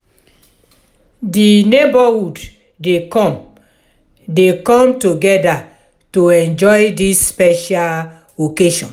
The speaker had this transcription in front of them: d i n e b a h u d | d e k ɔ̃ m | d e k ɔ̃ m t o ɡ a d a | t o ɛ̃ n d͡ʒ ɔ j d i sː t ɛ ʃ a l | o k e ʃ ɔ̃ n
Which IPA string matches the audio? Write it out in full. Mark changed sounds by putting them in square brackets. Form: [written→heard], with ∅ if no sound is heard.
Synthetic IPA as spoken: d i n e b a h u d | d e k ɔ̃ m | d e k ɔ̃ m t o ɡ [a→ɛ] d a | t o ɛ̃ n d͡ʒ ɔ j d i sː [t→p] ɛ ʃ a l | o k e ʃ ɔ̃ n